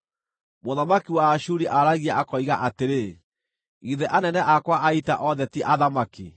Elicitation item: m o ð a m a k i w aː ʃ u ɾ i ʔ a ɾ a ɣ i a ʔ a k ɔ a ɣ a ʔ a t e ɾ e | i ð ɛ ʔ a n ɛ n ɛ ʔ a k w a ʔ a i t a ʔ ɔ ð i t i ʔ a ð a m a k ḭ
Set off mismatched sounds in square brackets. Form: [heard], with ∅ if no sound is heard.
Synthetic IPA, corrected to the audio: m o ð a m a k i w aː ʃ u ɾ i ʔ a ɾ a ɣ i a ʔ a k ɔ [i] ɣ a ʔ a t e ɾ e | i ð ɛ ʔ a n ɛ n ɛ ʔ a k w a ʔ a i t a ʔ ɔ ð [ɛ] t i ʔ a ð a m a k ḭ